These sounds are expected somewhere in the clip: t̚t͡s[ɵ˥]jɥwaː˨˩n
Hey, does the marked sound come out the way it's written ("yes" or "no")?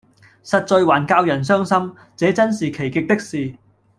no